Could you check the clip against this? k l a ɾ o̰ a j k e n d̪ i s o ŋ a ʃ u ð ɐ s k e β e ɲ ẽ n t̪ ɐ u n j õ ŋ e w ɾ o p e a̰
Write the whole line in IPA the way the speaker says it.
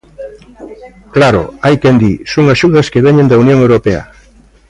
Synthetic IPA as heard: k l a ɾ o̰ a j k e n d̪ i s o ŋ a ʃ u ð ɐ s k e β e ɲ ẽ n d̪ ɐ u n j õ ŋ e w ɾ o p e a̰